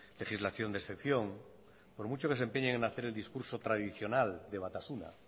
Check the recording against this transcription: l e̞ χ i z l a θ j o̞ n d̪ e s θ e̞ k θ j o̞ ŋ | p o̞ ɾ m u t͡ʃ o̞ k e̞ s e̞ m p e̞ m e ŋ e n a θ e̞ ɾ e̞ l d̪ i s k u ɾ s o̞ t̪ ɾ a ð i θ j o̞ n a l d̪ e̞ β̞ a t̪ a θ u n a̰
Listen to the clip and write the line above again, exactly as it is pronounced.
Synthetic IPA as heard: l e̞ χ i z l a θ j o̞ n d̪ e s θ e̞ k θ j o̞ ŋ | p o̞ ɾ m u t͡ʃ o̞ k e̞ s e̞ m p e̞ ɲ e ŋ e n a θ e̞ ɾ e̞ l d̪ i s k u ɾ s o̞ t̪ ɾ a ð i θ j o̞ n a l d̪ e̞ β̞ a t̪ a s u n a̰

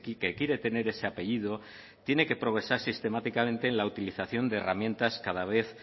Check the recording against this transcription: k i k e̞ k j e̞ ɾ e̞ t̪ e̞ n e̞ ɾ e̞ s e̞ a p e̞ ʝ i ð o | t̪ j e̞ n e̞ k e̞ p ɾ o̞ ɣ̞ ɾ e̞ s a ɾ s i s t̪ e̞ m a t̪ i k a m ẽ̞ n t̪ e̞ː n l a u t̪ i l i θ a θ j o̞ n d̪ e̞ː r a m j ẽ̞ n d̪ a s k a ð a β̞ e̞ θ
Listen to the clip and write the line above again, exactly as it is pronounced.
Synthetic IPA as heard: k i k e̞ k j e̞ ɾ e̞ t̪ e̞ n e̞ ɾ e̞ s e̞ a p e̞ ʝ i ð o | t̪ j e̞ n e̞ k e̞ p ɾ o̞ ɣ̞ ɾ e̞ s a ɾ s i s t̪ e̞ m a t̪ i k a m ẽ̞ n t̪ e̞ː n l a u t̪ i l i θ a θ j o̞ n d̪ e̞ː r a m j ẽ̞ n t̪ a s k a ð a β̞ e̞ θ

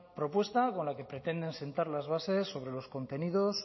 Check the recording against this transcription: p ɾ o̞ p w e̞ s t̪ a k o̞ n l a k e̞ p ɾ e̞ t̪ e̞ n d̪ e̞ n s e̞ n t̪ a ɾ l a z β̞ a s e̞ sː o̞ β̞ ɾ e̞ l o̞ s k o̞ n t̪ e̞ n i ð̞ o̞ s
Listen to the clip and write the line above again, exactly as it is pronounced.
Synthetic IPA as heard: p ɾ o̞ p w e̞ s t̪ a k o̞ n l a k e̞ p ɾ e̞ t̪ e̞ n d̪ e̞ n s e̞ n t̪ a ɾ l a z β̞ a s e̞ sː o̞ β̞ ɾ e̞ l o̞ s k o̞ n t̪ e̞ n i ð̞ o̞ s

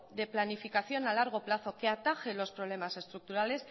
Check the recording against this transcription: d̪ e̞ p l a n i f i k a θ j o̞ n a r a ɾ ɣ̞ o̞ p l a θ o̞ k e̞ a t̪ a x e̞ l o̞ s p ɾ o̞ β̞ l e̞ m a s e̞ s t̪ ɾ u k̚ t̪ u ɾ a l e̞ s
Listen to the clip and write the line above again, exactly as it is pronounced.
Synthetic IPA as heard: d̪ e̞ p l a n i f i k a θ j o̞ n a l a ɾ ɣ̞ o̞ p l a θ o̞ k e̞ a t̪ a x e̞ l o̞ s p ɾ o̞ β̞ l e̞ m a s e̞ s t̪ ɾ u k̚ t̪ u ɾ a l e̞ s

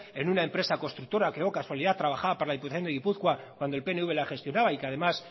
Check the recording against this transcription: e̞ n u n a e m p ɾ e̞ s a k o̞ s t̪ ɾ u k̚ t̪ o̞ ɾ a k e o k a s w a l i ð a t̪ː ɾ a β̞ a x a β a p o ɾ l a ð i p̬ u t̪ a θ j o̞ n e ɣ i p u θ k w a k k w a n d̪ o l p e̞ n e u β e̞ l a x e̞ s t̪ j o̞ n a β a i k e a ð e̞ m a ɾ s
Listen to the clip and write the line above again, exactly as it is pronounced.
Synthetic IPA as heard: e̞ n u n a e m p ɾ e̞ s a k o̞ s t̪ ɾ u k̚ t̪ o̞ ɾ a k e o k a s w a l i ð a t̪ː ɾ a β̞ a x a β a p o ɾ l a ð i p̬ u t̪ a θ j o̞ n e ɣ i p u θ k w a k k w a n d̪ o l p e̞ n e u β e̞ l a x e̞ s t̪ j o̞ n a β a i k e a ð e̞ m a s

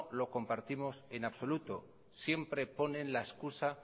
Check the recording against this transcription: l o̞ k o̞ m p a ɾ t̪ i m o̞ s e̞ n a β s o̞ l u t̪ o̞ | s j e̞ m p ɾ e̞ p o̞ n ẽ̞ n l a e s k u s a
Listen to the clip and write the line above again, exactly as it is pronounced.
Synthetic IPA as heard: l o̞ k o̞ m p a ɾ t̪ i m o̞ s e̞ n a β s o̞ l u t̪ o̞ | s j e̞ m p ɾ e̞ p o̞ n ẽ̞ n l a e s k u s a

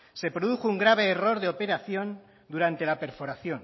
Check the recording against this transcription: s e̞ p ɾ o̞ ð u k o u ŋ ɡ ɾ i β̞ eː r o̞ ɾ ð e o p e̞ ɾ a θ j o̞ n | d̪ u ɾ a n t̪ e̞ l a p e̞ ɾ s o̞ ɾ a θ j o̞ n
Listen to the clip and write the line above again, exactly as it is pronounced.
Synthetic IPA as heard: s e̞ p ɾ o̞ ð u x o u ŋ ɡ ɾ a β̞ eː r o̞ ɾ ð e o p e̞ ɾ a θ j o̞ n | d̪ u ɾ a n t̪ e̞ l a p e̞ ɾ f o̞ ɾ a θ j o̞ n

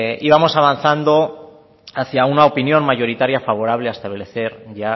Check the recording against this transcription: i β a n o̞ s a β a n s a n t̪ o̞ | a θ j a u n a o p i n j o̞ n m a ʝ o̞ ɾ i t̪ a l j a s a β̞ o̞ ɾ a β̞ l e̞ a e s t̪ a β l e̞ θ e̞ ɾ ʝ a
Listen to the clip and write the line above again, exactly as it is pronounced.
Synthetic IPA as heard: i β a m o̞ s a β a n θ a n d̪ o̞ | a θ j a u n a o p i n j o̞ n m a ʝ o̞ ɾ i t̪ a ɾ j a f a β̞ o̞ ɾ a β̞ l e̞ a e s t̪ a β l e̞ θ e̞ ɾ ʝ a

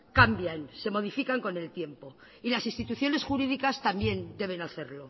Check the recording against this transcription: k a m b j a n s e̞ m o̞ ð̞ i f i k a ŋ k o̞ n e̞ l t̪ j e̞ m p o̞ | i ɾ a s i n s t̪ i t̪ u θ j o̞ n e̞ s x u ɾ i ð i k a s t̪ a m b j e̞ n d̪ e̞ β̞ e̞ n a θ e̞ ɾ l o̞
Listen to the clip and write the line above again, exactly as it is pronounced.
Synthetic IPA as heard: k a m b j a n s e̞ m o̞ ð̞ i f i k a ŋ k o̞ n e̞ l t̪ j e̞ m p o̞ | i l a s i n s t̪ i t̪ u θ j o̞ n e̞ s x u ɾ i ð i k a s t̪ a m b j e̞ n d̪ e̞ β̞ e̞ n a θ e̞ ɾ l o̞

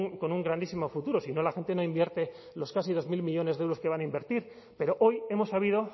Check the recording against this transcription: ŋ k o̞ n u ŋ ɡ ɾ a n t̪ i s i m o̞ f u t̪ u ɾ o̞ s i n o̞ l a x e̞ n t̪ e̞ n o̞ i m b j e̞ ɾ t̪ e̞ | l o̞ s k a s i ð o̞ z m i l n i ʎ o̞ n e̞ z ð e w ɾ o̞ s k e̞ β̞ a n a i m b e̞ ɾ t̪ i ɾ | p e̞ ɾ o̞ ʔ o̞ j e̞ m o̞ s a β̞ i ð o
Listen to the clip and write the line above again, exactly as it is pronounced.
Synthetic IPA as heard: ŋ k o̞ n u ŋ ɡ ɾ a n d̪ i s i m o̞ f u t̪ u ɾ o̞ s i n o̞ l a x e̞ n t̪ e̞ n o̞ i m b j e̞ ɾ t̪ e̞ | l o̞ s k a s i ð o̞ z m i l m i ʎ o̞ n e̞ z ð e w ɾ o̞ s k e̞ β̞ a n a i m b e̞ ɾ t̪ i ɾ | p e̞ ɾ o̞ ʔ o̞ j e̞ m o̞ s a β̞ i ð o

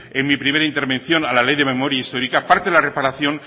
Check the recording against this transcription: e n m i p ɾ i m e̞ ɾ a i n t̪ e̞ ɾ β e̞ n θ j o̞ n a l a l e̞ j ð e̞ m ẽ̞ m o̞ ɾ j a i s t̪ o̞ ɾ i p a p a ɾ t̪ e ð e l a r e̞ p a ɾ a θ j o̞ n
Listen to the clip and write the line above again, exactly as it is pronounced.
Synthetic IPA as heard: e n m i p ɾ i m e̞ ɾ a i n t̪ e̞ ɾ β e̞ n θ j o̞ n a l a l e̞ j ð e̞ m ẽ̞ m o̞ ɾ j a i s t̪ o̞ ɾ i k a p a ɾ t̪ e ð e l a r e̞ p a ɾ a θ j o̞ n

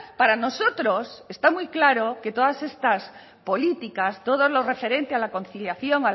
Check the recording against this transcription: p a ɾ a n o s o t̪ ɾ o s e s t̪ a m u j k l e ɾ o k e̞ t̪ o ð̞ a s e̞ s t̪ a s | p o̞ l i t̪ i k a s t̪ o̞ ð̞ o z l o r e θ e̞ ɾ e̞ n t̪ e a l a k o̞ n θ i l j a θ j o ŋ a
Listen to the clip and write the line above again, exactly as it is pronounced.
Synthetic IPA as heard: p a ɾ a n o s o t̪ ɾ o s e s t̪ a m u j k l a ɾ o k e̞ t̪ o ð̞ a s e̞ s t̪ a s | p o̞ l i t̪ i k a s t̪ o̞ ð̞ o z l o r e f e̞ ɾ e̞ n t̪ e a l a k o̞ n θ i l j a θ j o ŋ a

